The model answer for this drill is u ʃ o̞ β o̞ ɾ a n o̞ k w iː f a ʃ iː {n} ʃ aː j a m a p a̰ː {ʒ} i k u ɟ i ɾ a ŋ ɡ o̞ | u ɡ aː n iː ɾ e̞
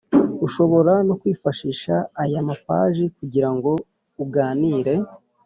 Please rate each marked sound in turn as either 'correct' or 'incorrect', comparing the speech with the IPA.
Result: incorrect, correct

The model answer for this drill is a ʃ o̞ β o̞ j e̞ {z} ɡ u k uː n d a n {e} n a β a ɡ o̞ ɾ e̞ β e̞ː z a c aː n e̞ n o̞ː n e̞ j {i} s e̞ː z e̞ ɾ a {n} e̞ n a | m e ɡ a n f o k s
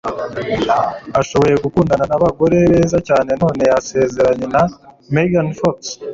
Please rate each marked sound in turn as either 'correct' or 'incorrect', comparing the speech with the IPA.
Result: incorrect, incorrect, incorrect, incorrect

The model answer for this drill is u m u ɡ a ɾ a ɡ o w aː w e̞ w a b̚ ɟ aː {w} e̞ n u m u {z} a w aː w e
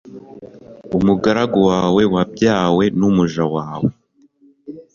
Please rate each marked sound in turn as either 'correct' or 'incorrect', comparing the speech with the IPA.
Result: correct, incorrect

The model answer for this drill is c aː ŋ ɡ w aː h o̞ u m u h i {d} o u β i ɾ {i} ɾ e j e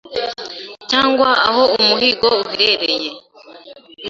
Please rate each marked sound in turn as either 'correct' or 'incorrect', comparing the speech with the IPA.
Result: incorrect, incorrect

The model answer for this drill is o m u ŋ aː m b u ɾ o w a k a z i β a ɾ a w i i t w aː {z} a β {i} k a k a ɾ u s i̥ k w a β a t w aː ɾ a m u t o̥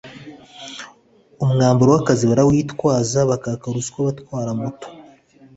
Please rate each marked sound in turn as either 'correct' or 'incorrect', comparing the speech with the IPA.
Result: correct, incorrect

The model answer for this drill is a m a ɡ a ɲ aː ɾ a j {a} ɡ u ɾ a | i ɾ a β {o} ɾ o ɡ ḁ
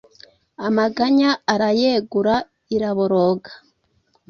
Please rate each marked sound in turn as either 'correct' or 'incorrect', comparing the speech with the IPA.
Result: incorrect, correct

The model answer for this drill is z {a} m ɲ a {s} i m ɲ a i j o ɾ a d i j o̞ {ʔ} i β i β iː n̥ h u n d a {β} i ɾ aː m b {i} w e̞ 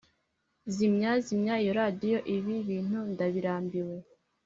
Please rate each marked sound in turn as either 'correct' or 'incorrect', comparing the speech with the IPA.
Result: incorrect, incorrect, correct, correct, correct

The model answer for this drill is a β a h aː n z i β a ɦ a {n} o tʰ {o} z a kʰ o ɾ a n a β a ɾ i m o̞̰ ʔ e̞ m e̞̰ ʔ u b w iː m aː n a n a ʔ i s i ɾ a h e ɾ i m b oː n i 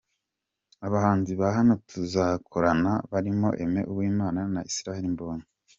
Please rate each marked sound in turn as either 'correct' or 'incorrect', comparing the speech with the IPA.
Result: correct, incorrect

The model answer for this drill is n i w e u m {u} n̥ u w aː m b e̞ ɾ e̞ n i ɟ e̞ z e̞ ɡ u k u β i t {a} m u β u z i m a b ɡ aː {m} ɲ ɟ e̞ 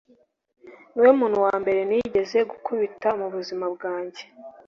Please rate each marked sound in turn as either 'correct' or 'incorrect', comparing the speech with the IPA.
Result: incorrect, correct, incorrect

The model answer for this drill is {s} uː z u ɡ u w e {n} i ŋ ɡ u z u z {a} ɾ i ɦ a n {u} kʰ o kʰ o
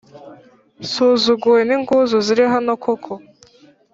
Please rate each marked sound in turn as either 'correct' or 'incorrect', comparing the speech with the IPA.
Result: correct, correct, incorrect, incorrect

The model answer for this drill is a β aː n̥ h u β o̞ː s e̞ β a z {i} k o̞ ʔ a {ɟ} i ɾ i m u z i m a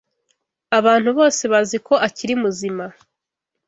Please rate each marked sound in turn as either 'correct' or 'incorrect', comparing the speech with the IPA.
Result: correct, incorrect

